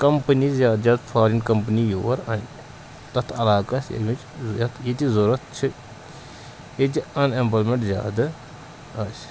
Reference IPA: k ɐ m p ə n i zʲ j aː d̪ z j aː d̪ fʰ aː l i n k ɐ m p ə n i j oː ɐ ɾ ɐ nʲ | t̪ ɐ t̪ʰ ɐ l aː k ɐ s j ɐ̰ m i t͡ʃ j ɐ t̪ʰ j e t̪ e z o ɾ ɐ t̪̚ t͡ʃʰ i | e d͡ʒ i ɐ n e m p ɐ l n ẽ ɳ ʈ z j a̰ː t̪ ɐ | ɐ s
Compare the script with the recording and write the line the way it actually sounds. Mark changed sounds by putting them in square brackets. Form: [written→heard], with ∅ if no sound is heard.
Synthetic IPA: k ɐ m p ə n i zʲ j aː d̪ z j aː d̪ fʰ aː [l→ɾ] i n k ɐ m p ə n i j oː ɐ ɾ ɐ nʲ | t̪ ɐ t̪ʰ ɐ l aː k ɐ s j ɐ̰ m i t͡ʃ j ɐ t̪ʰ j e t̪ [e→i] z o ɾ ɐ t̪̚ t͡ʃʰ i | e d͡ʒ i ɐ n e m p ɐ l [n→m] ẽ ɳ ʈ z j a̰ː [t̪→d̪] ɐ | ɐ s